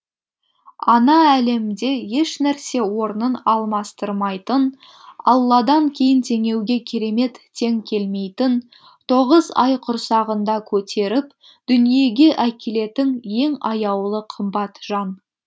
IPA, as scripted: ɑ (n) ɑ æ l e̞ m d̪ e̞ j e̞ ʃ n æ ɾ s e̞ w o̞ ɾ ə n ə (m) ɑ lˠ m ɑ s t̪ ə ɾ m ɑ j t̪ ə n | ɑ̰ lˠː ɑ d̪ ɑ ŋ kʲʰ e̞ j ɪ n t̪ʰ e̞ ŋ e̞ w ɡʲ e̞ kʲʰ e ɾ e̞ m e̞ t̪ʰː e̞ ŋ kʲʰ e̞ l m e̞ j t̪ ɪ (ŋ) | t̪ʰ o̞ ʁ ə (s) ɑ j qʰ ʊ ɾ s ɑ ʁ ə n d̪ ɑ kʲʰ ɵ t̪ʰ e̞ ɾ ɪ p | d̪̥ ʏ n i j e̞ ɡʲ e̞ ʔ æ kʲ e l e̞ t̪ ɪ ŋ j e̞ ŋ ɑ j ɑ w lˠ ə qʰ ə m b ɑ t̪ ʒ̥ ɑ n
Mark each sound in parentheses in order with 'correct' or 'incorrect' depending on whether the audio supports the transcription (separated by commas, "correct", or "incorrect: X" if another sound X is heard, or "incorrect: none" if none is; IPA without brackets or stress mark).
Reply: correct, incorrect: n, incorrect: n, incorrect: z